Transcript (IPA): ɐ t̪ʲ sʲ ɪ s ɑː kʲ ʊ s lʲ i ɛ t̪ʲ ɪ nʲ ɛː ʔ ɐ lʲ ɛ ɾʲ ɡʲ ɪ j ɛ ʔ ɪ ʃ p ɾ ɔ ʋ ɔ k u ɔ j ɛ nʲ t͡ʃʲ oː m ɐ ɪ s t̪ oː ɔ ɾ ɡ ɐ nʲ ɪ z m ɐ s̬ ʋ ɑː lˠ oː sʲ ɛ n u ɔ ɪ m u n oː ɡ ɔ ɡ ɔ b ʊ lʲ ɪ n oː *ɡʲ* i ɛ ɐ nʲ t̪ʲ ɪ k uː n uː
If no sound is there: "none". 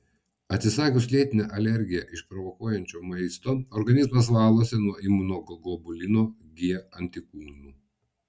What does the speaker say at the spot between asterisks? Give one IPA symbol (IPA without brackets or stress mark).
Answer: ɡʲ